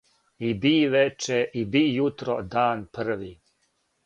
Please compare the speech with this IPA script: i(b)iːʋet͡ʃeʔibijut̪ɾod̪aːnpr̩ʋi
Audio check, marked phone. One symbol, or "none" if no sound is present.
b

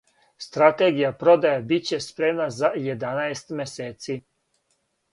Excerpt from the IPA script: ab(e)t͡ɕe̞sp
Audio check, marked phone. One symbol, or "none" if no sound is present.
i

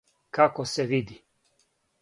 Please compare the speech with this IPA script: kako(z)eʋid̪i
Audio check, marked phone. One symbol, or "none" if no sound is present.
s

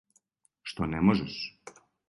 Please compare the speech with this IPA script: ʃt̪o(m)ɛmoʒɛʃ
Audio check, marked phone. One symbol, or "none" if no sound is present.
n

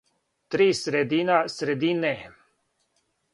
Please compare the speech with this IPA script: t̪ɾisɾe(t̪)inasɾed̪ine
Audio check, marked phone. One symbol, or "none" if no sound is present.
d̪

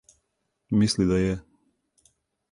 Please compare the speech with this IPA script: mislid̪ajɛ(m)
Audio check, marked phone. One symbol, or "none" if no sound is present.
none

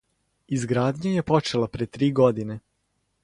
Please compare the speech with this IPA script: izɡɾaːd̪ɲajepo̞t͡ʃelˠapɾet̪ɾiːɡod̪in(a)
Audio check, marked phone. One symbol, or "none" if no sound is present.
e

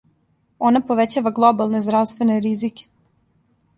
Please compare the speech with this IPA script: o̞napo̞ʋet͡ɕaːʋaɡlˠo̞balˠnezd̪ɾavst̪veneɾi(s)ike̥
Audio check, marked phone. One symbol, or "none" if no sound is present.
z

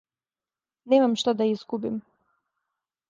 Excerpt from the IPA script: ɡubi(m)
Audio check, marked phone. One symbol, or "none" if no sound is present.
m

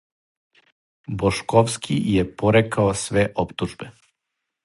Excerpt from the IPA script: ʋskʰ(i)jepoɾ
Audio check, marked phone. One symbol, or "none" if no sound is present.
i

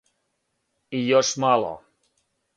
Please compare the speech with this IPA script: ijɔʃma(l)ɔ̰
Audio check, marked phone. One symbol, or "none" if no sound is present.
l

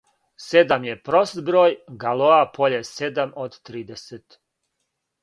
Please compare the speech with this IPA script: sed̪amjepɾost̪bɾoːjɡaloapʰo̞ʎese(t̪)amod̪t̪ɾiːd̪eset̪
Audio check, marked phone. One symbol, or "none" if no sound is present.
d̪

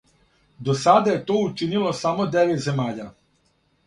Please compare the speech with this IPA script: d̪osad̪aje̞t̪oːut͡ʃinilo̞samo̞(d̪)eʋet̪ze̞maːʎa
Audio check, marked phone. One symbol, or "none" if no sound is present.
d̪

